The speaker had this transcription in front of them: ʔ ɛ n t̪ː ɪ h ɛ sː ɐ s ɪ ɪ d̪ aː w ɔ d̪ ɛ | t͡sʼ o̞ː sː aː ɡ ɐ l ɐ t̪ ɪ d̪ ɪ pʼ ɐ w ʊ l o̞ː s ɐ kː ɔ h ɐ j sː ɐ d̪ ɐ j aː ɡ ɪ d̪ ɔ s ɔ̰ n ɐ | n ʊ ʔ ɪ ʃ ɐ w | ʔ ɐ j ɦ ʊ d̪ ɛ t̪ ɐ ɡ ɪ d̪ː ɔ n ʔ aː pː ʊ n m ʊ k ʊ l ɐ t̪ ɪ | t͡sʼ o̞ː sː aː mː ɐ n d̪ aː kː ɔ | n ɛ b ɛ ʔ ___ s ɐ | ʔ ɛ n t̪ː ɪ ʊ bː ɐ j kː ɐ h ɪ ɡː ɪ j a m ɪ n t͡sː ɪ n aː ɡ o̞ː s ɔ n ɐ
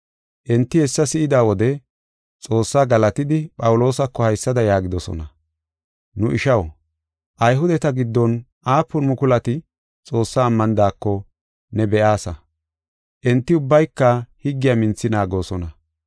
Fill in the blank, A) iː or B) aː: B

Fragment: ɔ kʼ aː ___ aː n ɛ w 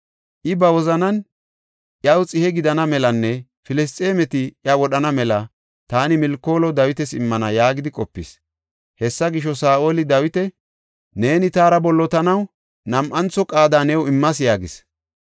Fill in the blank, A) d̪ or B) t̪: A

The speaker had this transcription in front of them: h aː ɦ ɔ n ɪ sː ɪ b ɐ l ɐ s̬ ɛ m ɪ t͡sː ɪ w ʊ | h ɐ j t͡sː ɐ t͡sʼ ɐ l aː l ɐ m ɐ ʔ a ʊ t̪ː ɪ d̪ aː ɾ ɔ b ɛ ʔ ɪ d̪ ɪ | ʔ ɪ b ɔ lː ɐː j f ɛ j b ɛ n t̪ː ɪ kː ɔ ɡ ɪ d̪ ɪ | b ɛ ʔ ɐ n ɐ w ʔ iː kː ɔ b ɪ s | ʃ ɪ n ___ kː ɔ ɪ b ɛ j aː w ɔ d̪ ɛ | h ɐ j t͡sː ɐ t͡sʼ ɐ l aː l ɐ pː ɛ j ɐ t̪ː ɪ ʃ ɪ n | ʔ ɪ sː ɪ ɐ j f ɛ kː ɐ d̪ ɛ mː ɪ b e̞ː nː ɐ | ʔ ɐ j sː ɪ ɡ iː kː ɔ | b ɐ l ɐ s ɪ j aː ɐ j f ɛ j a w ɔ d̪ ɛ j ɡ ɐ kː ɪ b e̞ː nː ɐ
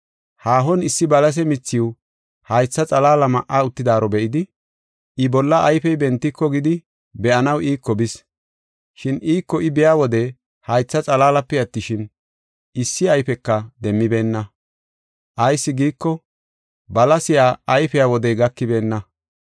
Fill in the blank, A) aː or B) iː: B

